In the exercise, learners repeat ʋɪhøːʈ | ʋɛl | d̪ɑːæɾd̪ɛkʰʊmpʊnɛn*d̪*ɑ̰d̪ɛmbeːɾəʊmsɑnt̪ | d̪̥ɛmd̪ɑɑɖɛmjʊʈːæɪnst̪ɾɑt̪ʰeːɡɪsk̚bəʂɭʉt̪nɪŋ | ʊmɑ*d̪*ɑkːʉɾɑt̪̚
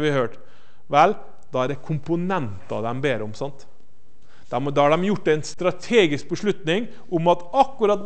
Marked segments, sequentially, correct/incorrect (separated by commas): incorrect, incorrect